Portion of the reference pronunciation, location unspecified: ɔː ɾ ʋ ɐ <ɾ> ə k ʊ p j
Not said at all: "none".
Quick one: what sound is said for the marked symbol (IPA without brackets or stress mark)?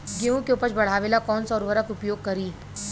ɾ